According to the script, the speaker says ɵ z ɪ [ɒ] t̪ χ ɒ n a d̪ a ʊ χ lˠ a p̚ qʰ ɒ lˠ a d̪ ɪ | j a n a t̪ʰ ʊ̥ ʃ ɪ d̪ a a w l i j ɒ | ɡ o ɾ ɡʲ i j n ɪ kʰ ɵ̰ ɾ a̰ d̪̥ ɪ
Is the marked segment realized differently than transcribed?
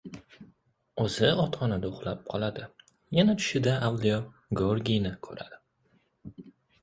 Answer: no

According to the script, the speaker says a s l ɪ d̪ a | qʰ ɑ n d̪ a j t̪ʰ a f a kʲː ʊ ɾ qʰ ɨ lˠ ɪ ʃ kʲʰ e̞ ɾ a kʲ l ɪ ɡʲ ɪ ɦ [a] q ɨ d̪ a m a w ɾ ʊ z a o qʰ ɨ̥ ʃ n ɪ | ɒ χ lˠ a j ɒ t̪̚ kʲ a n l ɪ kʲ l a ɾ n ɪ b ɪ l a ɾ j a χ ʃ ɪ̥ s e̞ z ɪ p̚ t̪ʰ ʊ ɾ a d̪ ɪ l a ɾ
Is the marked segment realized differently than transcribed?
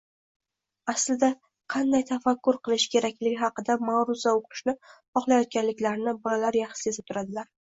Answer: yes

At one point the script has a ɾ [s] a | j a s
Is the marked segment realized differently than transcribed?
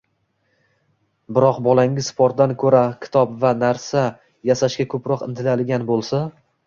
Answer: no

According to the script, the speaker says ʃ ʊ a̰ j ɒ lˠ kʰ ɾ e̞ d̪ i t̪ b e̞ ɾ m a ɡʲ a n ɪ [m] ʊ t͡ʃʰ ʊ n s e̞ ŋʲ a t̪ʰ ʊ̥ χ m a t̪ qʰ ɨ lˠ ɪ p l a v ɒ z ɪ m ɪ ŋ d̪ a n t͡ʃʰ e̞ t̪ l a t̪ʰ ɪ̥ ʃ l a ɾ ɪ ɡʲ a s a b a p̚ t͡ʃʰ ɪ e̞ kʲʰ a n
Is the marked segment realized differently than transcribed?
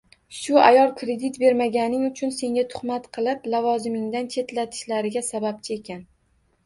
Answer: yes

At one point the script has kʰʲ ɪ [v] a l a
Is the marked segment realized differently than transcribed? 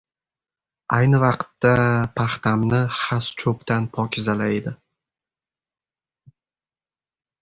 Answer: yes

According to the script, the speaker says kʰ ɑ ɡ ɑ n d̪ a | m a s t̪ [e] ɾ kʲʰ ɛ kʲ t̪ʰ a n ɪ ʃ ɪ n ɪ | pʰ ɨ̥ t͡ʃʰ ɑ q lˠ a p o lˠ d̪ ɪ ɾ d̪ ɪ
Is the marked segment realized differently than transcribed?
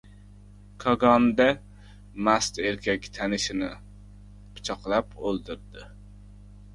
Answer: no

